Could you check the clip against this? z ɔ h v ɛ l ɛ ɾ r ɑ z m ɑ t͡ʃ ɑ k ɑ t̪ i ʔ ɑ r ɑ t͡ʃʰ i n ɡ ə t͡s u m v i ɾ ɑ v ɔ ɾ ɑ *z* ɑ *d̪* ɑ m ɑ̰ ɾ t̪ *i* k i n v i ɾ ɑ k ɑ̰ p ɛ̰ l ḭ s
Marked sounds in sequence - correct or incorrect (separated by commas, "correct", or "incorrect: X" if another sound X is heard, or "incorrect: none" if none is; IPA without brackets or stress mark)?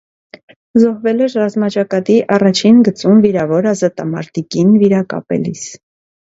correct, incorrect: t̪, correct